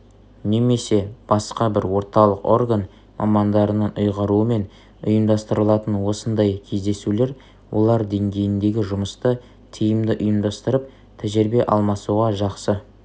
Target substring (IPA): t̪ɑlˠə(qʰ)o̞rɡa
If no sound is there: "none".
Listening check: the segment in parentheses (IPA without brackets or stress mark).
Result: q